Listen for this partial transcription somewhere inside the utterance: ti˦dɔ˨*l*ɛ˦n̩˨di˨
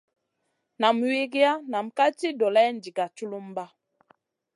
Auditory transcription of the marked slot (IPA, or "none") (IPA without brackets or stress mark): l